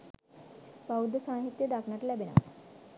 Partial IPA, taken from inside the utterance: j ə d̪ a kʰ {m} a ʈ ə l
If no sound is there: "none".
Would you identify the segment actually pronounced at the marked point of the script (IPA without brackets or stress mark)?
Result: n